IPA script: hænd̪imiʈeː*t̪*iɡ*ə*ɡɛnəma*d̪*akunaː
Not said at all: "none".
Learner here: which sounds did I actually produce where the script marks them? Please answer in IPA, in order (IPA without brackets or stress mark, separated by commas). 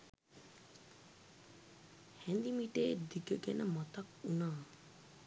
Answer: d̪, ə, t̪